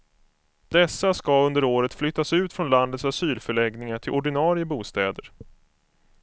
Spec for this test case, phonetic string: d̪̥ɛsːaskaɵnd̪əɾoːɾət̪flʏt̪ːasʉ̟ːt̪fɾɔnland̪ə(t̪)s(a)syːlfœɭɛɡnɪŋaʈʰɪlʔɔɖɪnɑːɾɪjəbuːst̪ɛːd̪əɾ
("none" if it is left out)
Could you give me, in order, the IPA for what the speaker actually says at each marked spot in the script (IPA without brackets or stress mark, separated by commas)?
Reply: t̪, a